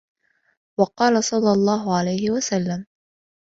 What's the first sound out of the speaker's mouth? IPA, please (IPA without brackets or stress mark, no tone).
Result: w